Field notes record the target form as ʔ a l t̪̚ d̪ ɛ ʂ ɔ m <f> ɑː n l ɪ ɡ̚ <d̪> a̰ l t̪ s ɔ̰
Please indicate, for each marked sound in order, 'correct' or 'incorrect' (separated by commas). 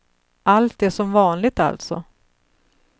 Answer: incorrect, incorrect